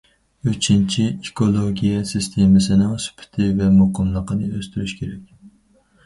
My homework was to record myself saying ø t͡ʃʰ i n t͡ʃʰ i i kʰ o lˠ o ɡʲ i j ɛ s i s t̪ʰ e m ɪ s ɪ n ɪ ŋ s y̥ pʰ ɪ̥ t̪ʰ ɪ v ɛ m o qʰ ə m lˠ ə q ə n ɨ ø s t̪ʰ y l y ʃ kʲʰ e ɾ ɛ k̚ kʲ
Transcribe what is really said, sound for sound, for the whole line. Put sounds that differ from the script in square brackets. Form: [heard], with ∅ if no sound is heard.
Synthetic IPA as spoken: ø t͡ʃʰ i n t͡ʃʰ i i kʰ o lˠ o ɡʲ i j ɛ s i s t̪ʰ e m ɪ s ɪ n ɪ ŋ s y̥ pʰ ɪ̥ t̪ʰ ɪ v ɛ m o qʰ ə m lˠ ə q ə n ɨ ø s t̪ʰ y [ɾ] y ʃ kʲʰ e ɾ ɛ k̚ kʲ